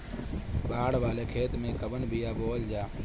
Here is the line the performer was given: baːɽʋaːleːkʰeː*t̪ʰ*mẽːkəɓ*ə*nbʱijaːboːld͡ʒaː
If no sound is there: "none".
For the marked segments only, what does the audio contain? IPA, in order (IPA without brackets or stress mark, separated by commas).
t̪, ə